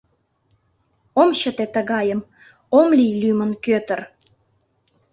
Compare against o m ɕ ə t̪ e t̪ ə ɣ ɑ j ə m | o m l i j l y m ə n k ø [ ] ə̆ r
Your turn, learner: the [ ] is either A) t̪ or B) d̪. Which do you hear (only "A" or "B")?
A